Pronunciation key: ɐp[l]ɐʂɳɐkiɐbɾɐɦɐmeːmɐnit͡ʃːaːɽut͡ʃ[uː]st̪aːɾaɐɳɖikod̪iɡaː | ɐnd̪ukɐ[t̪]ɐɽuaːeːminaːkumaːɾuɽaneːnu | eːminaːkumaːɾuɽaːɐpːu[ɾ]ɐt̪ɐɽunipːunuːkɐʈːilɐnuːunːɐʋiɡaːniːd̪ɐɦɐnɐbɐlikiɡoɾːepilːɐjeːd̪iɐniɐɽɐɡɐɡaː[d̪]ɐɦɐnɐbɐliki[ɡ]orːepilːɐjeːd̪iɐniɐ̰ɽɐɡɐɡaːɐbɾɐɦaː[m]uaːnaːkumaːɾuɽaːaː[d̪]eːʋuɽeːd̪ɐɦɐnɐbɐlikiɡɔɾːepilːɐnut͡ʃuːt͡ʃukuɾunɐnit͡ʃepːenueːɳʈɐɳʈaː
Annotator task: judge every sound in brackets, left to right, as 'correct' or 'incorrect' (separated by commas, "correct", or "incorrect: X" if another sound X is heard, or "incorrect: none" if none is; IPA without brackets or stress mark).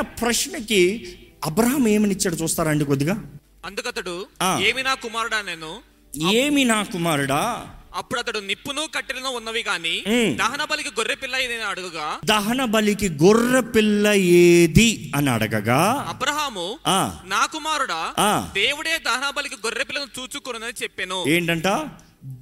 incorrect: ɾ, correct, correct, incorrect: ɽ, correct, correct, correct, correct